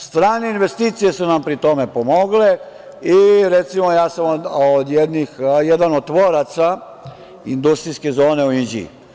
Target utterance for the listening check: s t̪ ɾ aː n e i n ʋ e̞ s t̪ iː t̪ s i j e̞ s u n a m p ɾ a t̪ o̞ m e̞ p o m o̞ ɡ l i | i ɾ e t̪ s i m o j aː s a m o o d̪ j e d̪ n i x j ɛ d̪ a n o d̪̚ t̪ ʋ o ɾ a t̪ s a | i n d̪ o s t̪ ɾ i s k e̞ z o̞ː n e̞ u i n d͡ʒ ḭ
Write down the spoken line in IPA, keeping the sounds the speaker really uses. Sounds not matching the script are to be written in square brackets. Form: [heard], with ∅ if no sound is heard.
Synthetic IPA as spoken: s t̪ ɾ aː n e i n ʋ e̞ s t̪ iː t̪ s i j e̞ s u n a m p ɾ [i] t̪ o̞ m e̞ p o m o̞ ɡ l [e] | i ɾ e t̪ s i m o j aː s a m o o d̪ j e d̪ n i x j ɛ d̪ a n o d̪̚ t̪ ʋ o ɾ a t̪ s a | i n d̪ [u] s t̪ ɾ i s k e̞ z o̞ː n e̞ u i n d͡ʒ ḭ